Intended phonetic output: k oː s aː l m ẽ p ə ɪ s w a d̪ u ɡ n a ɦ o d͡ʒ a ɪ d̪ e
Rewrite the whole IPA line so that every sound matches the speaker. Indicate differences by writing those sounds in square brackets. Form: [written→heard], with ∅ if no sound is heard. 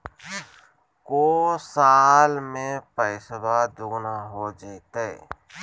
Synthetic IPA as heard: k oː s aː l m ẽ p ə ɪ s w a d̪ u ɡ n a ɦ o d͡ʒ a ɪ [d̪→t̪] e